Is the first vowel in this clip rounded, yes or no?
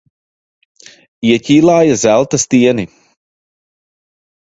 no